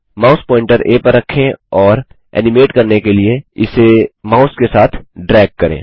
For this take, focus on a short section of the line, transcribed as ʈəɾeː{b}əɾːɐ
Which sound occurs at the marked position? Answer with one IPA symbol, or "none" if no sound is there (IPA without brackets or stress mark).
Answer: p